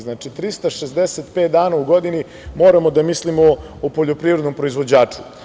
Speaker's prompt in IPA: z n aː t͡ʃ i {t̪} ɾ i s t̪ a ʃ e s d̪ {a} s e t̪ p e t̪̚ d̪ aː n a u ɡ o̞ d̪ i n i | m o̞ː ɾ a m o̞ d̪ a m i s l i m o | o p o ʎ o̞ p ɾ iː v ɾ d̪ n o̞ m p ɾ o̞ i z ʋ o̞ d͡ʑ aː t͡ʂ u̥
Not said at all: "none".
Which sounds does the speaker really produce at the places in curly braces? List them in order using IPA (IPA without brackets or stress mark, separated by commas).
t̪, e